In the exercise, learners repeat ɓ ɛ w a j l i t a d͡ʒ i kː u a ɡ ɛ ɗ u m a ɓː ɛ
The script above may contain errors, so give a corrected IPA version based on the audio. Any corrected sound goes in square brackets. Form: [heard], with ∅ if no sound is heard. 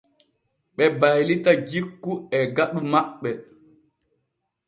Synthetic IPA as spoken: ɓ ɛ [b] a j l i t a d͡ʒ i kː u [ɛ] ɡ [a] ɗ u m a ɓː ɛ